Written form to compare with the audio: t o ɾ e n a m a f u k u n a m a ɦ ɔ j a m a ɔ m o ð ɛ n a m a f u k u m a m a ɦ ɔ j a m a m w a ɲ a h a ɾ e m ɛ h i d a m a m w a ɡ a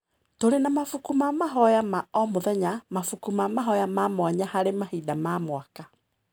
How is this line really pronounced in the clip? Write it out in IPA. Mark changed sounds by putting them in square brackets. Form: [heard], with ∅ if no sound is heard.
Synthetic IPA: t o ɾ e n a m a f u k u [m] a m a ɦ ɔ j a m a ɔ m o ð ɛ [ɲ] a m a f u k u m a m a ɦ ɔ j a m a m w a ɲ a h a ɾ e m [a] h i d a m a m w a [k] a

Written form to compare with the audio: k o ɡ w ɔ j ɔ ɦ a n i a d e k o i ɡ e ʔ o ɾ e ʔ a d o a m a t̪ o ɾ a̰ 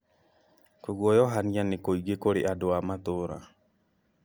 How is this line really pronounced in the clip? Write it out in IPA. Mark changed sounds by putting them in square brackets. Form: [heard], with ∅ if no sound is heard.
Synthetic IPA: k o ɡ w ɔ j ɔ ɦ a n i a [n] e k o i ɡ e [k] o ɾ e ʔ a d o a m a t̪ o ɾ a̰

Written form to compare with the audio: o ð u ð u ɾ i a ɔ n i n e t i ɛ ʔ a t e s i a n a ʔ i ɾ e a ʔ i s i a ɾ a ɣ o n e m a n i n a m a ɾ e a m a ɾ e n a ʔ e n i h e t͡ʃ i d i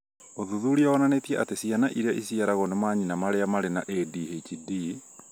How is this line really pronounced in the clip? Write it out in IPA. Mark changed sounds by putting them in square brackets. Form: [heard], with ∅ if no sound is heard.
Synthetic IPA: o ð u ð u ɾ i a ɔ n [a] n e t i ɛ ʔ a t e s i a n a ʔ i ɾ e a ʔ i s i a ɾ a ɣ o n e m a [ɲ] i n a m a ɾ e a m a ɾ e n a ʔ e [d] i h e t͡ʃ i d i

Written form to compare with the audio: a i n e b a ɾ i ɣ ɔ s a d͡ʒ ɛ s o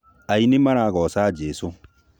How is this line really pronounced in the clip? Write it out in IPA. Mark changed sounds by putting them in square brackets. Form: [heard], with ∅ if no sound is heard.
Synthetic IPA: a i n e [m] a ɾ [a] ɣ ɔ s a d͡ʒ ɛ s o

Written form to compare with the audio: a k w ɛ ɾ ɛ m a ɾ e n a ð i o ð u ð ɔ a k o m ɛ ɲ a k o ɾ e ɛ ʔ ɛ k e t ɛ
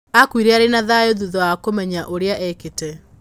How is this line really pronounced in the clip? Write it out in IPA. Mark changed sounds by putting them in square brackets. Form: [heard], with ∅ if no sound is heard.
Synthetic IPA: a k w [i] ɾ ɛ [∅] a ɾ e n a ð [a] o ð u ð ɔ a k o m ɛ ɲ a [ʔ] o ɾ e [a] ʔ ɛ k e t ɛ

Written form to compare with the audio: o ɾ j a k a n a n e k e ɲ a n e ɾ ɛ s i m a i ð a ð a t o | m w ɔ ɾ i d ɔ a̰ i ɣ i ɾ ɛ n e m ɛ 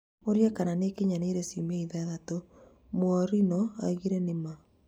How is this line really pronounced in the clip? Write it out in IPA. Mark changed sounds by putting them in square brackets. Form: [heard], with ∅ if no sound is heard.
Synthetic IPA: o ɾ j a k a n a n e k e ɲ a n e ɾ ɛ s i m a i ð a ð a t o | m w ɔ ɾ i [n] ɔ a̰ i ɣ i ɾ ɛ n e m [a]

